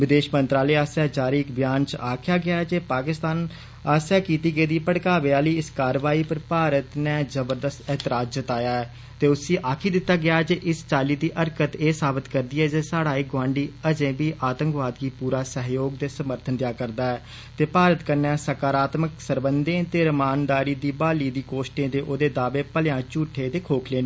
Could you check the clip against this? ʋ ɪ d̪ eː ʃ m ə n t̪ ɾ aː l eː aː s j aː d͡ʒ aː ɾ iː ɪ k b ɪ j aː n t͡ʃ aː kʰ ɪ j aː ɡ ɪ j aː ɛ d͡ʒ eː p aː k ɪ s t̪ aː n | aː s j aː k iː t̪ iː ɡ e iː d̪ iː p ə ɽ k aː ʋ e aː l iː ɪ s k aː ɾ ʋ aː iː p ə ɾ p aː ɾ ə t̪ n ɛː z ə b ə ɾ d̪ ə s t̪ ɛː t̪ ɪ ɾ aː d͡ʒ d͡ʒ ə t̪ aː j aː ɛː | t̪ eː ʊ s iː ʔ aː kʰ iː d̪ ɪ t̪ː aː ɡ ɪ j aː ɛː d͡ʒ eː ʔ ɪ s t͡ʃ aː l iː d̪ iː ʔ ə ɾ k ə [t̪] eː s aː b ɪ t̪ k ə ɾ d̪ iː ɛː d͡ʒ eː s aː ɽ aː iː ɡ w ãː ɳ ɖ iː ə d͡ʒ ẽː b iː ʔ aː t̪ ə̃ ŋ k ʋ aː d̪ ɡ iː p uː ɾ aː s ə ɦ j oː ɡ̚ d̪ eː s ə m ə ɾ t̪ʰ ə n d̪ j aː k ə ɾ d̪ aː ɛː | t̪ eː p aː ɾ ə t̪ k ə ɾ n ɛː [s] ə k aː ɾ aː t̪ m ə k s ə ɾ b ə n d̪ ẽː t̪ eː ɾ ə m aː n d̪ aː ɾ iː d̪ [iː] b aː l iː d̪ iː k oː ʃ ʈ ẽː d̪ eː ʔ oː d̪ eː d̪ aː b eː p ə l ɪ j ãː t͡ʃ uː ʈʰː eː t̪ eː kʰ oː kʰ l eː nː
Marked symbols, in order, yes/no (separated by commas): yes, yes, yes